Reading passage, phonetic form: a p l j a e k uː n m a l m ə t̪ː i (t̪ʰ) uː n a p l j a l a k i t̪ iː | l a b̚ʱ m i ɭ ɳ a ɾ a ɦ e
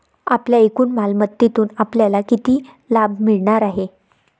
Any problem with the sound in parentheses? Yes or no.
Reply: yes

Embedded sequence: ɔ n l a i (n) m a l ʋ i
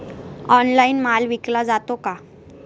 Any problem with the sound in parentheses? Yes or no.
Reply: no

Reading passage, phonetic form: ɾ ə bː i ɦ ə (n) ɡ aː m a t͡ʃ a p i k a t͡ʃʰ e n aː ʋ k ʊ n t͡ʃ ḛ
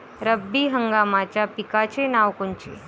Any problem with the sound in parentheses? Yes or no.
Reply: yes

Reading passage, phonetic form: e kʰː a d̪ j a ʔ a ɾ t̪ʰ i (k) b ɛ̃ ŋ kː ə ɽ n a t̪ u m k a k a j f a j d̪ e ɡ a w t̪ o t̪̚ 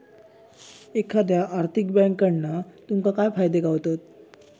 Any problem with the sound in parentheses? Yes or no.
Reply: no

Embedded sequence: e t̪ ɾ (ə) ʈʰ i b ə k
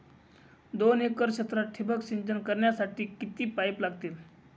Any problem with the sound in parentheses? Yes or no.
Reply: yes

